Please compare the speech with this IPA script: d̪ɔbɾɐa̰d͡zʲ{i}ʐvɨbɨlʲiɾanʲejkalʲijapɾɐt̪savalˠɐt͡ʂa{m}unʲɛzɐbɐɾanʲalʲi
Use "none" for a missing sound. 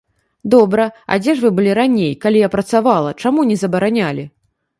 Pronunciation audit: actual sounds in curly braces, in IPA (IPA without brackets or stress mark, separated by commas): ɛ, m